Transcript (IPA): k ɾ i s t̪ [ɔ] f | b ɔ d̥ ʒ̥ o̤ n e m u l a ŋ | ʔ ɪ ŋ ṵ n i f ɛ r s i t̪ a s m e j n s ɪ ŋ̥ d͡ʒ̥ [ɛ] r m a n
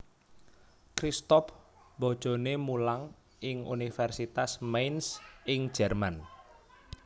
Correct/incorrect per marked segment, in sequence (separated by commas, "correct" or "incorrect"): correct, correct